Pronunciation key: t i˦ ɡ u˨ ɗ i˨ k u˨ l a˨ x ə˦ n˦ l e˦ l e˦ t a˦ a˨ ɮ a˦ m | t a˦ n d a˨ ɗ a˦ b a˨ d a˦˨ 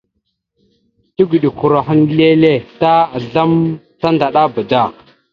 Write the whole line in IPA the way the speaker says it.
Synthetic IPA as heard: t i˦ ɡ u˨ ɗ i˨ k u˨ ɾ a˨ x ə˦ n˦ l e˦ l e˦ t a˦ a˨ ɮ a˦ m | t a˦ n d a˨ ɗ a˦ b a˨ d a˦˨